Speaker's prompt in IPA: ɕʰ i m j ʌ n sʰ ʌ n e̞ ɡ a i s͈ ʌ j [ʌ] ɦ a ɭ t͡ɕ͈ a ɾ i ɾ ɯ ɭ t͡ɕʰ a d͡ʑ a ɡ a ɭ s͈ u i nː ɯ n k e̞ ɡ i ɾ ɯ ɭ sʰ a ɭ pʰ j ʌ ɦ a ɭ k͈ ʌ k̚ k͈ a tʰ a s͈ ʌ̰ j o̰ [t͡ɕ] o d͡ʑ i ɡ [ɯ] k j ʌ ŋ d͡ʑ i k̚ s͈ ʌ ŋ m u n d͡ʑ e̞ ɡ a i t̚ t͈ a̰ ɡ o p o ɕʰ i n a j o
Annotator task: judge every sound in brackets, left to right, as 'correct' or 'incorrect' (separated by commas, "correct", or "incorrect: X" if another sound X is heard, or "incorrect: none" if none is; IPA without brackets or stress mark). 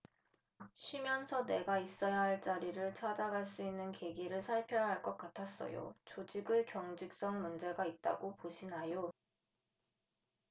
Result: incorrect: a, correct, correct